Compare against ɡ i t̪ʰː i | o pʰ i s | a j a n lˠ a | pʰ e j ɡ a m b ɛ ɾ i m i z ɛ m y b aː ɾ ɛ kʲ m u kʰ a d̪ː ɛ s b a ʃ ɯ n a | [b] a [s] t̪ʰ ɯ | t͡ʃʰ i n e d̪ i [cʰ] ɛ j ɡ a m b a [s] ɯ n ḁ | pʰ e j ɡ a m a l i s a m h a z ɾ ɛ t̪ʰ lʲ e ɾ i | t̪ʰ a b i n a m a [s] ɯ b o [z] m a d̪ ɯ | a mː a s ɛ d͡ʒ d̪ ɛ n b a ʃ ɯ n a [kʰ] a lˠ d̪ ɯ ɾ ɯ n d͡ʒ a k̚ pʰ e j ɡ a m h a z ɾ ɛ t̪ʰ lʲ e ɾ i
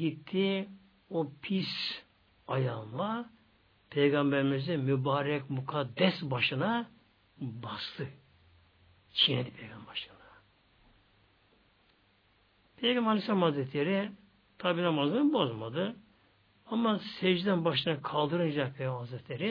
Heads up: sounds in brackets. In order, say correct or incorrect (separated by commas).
correct, correct, incorrect, incorrect, incorrect, correct, correct